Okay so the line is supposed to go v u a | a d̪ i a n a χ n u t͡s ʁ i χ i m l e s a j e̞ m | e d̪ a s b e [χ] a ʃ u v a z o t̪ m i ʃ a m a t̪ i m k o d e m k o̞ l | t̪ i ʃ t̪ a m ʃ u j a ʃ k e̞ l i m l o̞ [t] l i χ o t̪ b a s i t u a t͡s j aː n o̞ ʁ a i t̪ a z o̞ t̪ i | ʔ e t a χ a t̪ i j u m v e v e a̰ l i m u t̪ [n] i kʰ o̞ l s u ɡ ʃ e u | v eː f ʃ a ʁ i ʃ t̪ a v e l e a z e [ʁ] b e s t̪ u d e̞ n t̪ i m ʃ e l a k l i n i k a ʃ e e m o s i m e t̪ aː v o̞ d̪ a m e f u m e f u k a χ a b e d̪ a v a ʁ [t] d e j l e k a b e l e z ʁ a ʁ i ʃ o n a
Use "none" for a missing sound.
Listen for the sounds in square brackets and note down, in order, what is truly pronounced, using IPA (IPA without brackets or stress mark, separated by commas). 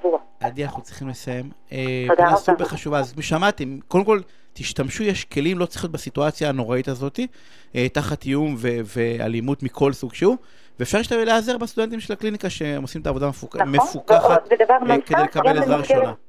χ, t͡s, m, ʁ, k